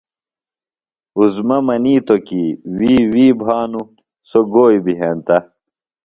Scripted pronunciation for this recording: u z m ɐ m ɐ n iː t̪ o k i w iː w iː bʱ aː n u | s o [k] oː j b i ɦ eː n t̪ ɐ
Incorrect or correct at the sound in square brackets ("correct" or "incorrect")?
incorrect